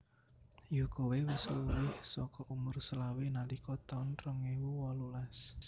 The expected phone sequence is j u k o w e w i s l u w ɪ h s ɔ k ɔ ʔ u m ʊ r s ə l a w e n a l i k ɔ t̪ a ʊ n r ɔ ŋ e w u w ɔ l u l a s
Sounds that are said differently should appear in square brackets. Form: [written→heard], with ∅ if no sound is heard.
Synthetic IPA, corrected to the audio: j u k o w e w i s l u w ɪ h s ɔ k ɔ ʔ u m ʊ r s ə l a w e n a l i k ɔ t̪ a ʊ n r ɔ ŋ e w u w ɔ l u l a s